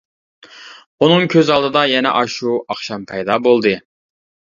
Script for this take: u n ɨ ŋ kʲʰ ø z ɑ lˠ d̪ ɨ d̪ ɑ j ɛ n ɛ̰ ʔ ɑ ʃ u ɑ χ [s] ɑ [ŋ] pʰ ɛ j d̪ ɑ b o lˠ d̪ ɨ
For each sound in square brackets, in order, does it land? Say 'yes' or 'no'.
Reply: no, no

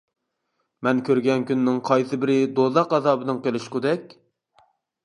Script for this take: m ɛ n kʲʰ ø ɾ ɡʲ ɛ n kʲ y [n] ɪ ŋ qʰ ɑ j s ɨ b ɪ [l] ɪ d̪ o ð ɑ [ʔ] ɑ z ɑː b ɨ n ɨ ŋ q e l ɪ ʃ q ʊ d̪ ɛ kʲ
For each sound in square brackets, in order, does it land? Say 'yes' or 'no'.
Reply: no, no, no

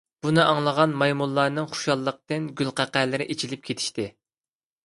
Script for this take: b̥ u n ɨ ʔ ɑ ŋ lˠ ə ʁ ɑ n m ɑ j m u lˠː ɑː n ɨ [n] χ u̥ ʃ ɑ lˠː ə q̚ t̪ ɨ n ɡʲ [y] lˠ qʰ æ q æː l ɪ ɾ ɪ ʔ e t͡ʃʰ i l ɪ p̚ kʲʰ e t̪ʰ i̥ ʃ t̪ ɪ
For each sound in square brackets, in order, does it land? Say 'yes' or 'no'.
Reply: no, yes

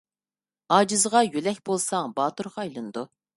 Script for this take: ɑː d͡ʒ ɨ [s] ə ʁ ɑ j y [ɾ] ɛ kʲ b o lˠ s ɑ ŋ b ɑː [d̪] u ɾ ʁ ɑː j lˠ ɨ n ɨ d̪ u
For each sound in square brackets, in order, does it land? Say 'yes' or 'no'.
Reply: no, no, no

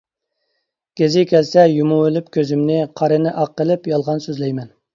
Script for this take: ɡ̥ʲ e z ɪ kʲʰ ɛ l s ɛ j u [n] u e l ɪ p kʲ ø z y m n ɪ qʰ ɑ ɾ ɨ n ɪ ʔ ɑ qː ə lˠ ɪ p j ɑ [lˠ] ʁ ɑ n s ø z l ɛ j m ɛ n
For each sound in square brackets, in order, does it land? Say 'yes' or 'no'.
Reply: no, yes

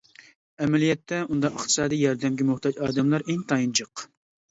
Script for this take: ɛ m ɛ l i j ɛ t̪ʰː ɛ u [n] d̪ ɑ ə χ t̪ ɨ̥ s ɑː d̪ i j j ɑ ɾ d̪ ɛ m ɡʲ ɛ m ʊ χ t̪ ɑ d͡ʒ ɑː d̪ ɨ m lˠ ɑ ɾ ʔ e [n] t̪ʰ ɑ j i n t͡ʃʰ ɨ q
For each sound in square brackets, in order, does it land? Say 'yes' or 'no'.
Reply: yes, no

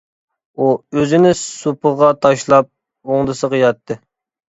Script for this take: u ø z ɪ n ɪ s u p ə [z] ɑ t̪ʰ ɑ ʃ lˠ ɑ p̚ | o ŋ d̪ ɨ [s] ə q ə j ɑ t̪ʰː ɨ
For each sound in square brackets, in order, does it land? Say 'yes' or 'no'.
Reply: no, yes

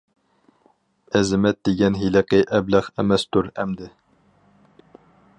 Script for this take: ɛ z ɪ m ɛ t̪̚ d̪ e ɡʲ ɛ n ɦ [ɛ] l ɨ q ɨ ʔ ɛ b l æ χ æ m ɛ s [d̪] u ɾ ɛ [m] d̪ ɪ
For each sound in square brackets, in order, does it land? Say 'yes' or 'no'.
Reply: no, no, yes

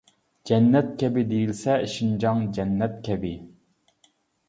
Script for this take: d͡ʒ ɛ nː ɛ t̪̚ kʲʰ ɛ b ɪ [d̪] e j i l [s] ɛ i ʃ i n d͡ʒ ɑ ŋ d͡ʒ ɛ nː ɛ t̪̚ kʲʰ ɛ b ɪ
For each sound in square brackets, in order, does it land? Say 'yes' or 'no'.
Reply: yes, yes

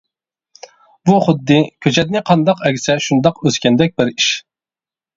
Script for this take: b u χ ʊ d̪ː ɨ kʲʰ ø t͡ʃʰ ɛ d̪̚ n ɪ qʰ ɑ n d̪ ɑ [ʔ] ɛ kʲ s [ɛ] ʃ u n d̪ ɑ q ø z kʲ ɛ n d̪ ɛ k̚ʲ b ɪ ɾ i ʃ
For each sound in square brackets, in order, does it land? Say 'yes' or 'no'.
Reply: no, yes

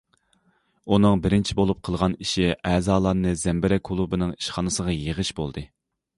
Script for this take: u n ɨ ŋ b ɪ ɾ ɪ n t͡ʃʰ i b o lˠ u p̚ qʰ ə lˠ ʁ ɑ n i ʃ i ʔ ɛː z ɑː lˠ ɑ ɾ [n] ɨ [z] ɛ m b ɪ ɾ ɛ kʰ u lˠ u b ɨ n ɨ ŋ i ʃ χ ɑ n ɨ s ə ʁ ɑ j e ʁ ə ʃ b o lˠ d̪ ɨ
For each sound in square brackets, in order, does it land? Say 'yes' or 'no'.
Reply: yes, yes

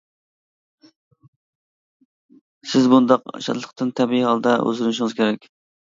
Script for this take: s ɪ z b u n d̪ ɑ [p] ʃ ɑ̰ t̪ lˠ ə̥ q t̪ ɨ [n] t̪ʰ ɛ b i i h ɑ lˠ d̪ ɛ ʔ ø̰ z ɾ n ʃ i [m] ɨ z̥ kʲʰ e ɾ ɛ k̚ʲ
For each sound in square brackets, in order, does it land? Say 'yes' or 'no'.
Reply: no, yes, no

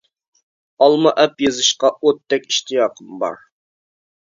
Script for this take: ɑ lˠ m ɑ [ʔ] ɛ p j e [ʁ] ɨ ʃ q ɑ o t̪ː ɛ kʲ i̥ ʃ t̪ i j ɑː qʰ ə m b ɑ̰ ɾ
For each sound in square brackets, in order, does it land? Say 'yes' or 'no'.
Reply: yes, no

